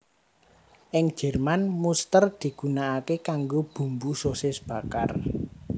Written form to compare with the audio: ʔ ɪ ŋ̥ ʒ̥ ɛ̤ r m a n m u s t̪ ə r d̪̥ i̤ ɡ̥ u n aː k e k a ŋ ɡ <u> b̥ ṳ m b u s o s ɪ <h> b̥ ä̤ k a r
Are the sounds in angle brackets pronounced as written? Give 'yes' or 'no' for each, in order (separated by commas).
no, no